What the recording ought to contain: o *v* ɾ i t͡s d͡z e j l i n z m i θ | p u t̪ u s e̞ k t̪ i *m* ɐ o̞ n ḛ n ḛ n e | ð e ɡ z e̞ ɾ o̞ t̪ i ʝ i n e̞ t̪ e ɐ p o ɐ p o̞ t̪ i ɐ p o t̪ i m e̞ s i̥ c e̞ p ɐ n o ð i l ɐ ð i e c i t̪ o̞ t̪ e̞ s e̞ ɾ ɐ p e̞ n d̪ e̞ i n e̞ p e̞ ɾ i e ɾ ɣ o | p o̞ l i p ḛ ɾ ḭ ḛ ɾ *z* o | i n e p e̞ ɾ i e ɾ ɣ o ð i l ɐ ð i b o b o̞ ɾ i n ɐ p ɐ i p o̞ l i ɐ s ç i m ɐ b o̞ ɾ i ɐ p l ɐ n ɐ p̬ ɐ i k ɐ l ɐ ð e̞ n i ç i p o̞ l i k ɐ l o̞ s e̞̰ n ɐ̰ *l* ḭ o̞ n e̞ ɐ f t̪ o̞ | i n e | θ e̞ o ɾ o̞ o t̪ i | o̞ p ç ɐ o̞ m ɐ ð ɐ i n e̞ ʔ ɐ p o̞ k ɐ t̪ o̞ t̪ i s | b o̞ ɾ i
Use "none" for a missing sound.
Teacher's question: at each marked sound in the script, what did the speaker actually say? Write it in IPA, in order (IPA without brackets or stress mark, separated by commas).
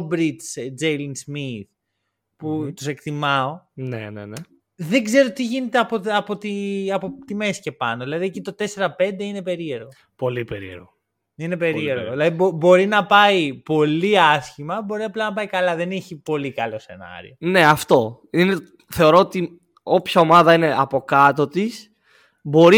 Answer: b, m, ɣ, ɾ